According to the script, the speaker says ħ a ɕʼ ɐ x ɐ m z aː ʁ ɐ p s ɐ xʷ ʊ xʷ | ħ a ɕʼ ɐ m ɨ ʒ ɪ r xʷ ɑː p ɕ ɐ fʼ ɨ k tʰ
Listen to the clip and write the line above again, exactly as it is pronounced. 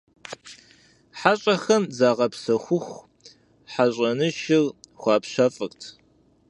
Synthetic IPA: ħ a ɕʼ ɐ x ɐ m z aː ʁ ɐ p s ɐ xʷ ʊ xʷ | ħ a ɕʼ ɐ n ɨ ʃ ɪ r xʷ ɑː p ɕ ɐ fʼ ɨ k tʰ

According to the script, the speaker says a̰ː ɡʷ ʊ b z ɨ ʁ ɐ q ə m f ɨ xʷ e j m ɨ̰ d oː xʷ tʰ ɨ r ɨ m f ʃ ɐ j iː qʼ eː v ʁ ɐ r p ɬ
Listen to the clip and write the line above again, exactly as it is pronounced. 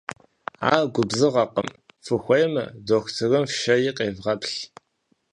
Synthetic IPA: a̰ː ɡʷ ʊ b z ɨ ʁ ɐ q ə m f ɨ xʷ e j m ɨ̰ d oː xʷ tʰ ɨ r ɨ m f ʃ ɐ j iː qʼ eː v ʁ ɐ p ɬ

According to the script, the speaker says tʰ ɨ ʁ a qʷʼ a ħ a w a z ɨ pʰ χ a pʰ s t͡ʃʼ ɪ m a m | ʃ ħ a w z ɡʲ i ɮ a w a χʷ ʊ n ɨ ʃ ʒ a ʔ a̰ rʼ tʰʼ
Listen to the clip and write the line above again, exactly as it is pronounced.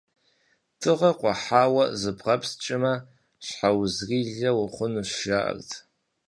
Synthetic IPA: tʰ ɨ ʁ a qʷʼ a ħ a w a z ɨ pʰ ʁ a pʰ s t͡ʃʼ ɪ m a | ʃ ħ a w z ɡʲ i ɮ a w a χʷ ʊ n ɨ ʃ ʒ a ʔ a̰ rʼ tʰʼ

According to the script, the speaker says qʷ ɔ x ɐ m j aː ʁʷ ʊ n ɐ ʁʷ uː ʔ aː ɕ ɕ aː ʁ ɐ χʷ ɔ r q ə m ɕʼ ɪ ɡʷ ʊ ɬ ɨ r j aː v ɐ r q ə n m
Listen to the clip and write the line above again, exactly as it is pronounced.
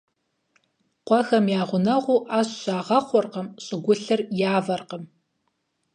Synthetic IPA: qʷ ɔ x ɐ m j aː ʁʷ ʊ n ɐ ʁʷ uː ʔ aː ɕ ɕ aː ʁ ɐ χʷ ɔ r q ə m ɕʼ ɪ ɡʷ ʊ ɬ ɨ r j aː v ɐ r q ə m

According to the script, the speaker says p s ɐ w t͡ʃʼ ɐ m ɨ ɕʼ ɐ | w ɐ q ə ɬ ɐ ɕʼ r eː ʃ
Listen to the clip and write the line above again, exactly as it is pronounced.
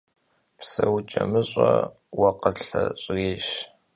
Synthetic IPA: p s ɐ w t͡ʃʼ ɐ m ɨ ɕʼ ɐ | w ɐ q ə ɬ ɐ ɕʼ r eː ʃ

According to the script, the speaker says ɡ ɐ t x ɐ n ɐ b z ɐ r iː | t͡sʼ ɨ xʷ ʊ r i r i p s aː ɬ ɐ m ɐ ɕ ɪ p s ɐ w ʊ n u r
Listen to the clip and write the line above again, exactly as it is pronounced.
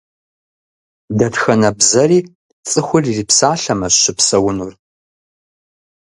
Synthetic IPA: d ɐ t x ɐ n ɐ b z ɐ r iː | t͡sʼ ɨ xʷ ʊ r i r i p s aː ɬ ɐ m ɐ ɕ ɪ p s ɐ w ʊ n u r

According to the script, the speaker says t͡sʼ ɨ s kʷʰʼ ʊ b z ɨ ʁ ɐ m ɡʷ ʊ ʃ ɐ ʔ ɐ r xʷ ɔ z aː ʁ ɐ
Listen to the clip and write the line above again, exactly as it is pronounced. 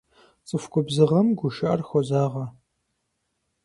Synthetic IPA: t͡sʼ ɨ f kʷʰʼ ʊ b z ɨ ʁ ɐ m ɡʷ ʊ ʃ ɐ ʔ ɐ r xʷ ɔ z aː ʁ ɐ

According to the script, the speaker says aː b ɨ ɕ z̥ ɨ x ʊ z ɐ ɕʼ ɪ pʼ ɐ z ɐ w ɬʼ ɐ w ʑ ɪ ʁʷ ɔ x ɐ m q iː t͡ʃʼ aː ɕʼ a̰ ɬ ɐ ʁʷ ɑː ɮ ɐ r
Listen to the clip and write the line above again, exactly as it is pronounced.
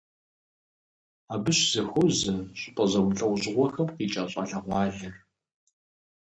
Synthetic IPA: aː b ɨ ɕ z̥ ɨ x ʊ z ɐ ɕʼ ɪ pʼ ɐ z ɐ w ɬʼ ɐ w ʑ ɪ ʁʷ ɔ x ɐ m q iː t͡ʃʼ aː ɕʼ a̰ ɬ ɐ ʁʷ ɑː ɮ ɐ r

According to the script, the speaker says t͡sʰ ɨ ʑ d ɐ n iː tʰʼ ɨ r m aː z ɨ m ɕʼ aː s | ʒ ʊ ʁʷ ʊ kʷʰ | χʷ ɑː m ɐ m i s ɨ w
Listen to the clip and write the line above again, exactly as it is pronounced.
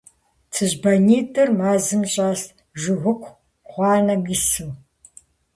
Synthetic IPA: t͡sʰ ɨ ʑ b ɐ n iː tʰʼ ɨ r m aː z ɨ m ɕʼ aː s | ʒ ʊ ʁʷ ʊ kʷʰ | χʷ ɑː n ɐ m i s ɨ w

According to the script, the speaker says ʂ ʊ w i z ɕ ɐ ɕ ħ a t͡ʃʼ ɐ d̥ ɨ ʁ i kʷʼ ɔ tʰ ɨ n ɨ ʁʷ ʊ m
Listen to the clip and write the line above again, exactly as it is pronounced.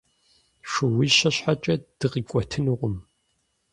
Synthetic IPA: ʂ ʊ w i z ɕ ɐ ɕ ħ a t͡ʃʼ ɐ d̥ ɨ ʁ i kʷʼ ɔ tʰ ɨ n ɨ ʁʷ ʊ m

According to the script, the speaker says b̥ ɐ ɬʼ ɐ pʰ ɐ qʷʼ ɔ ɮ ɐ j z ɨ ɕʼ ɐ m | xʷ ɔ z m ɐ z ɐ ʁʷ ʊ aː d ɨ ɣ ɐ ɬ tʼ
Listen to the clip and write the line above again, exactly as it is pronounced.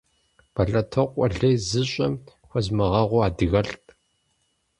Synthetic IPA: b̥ ɐ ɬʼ ɐ tʰ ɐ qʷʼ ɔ ɮ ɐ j z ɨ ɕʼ ɐ m | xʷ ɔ z m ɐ ʁ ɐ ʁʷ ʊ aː d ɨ ɣ ɐ ɬ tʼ

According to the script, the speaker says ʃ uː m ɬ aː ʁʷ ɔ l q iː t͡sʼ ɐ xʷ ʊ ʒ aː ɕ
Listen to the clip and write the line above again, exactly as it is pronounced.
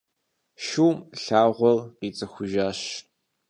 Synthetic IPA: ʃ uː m ɬ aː ʁʷ ɔ l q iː t͡sʼ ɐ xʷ ʊ ʒ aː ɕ

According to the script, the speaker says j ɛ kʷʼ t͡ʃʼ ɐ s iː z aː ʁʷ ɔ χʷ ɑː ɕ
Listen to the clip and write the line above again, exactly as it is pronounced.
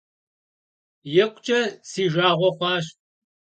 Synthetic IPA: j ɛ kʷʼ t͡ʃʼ ɐ s iː ʒ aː ʁʷ ɔ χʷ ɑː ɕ

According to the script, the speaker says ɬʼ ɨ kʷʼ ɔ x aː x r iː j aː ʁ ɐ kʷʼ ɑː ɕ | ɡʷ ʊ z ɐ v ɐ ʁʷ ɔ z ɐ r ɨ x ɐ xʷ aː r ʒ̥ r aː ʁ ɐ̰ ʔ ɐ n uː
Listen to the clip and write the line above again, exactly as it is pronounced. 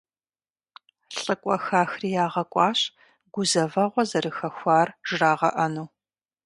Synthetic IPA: ɬʼ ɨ kʷʼ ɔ x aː x r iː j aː ʁ ɐ kʷʼ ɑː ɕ | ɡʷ ʊ z ɐ v ɐ ʁʷ ɔ z ɐ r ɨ x ɐ xʷ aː r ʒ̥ r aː ʁ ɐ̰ ʔ ɐ n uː

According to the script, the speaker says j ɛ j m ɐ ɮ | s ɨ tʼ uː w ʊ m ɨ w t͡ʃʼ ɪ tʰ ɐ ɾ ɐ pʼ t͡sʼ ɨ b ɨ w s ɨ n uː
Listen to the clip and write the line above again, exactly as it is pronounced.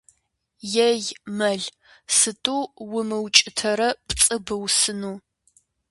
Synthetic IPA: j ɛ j m ɐ ɮ | s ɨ tʼ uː w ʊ m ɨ w t͡ʃʼ ɪ tʰ ɐ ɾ ɐ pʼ t͡sʼ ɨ b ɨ w s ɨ n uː

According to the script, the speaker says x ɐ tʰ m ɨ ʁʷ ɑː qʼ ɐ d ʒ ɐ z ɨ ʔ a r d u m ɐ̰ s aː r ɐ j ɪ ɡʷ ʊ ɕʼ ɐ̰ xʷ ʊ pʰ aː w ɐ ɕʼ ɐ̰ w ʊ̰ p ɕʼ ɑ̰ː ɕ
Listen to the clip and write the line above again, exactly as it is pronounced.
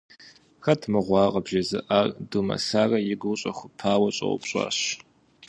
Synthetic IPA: x ɐ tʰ m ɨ ʁʷ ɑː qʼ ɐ b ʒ ɐ z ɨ ʔ a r d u m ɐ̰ s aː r ɐ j ɪ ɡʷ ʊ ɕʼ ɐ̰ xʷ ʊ pʰ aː w ɐ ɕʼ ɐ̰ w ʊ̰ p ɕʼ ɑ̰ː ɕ

